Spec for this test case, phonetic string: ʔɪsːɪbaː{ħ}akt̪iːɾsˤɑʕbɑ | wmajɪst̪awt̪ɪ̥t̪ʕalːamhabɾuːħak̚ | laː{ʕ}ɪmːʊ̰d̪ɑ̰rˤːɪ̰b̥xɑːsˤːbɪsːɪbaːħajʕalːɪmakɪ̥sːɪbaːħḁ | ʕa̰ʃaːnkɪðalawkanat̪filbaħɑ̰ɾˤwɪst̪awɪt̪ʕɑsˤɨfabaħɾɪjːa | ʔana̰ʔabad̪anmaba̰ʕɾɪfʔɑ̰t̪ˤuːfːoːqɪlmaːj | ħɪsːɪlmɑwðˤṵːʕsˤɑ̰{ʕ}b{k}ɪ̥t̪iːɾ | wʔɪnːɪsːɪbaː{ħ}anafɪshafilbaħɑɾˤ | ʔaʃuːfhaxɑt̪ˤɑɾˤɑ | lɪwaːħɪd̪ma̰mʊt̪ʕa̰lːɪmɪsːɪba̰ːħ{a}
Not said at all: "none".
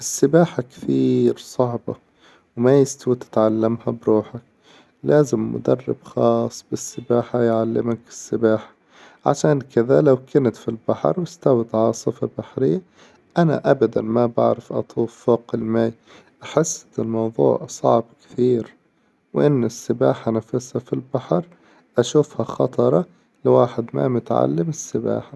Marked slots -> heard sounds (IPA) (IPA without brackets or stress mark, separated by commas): ħ, z, ʕ, k, ħ, a